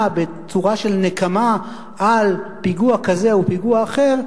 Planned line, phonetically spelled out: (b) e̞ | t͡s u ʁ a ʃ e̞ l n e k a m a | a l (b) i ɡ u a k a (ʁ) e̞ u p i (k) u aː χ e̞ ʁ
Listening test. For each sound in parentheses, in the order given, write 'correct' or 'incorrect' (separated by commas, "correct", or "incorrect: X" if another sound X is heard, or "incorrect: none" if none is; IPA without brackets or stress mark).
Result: correct, incorrect: p, incorrect: z, incorrect: ɡ